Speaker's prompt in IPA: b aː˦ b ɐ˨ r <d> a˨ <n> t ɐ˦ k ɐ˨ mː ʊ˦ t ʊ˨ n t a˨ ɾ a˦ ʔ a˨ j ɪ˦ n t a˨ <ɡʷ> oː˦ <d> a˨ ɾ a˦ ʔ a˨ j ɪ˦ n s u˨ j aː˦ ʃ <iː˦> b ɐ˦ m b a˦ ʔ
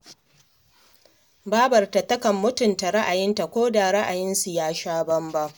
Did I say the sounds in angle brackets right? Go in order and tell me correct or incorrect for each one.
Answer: incorrect, incorrect, incorrect, correct, incorrect

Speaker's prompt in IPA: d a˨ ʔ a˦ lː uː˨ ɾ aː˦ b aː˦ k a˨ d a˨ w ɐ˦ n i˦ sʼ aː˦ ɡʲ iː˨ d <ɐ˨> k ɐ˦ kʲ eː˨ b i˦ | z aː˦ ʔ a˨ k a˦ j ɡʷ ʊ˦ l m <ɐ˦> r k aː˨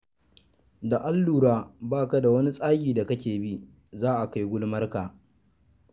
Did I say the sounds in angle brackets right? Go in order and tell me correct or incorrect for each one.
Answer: incorrect, correct

